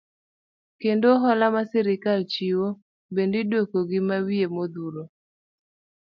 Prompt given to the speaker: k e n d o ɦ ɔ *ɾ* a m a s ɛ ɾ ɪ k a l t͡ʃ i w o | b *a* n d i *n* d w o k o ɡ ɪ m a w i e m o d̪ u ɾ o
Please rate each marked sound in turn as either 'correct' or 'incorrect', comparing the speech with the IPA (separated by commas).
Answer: incorrect, incorrect, incorrect